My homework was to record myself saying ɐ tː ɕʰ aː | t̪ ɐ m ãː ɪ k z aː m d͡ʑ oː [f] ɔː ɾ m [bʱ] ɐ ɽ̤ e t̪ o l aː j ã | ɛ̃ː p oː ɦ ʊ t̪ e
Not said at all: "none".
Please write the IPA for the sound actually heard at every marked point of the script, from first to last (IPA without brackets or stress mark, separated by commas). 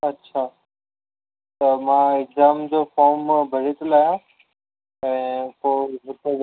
f, bʱ